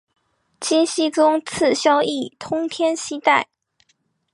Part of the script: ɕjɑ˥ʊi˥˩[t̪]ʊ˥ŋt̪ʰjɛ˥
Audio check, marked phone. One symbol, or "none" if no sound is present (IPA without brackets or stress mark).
t̪ʰ